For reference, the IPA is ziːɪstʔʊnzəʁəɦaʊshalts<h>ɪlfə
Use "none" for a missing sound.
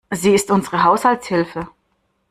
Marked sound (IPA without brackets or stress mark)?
h